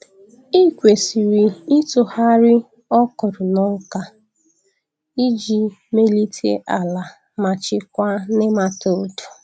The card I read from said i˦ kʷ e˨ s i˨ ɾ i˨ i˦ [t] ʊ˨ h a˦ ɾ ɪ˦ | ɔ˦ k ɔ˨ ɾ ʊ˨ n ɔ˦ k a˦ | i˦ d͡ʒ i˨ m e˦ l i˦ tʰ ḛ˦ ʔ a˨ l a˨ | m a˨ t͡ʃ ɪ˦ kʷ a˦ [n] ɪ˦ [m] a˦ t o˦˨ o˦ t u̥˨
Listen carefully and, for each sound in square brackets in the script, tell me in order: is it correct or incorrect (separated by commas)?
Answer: correct, correct, correct